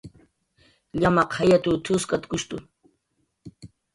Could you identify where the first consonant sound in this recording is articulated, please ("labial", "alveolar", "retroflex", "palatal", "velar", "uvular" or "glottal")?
palatal